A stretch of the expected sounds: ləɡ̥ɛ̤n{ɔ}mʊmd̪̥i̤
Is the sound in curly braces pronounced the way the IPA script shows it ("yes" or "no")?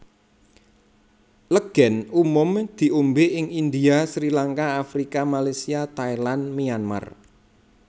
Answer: no